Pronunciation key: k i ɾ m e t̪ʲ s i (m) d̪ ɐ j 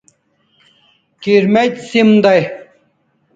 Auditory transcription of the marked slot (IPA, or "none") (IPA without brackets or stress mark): m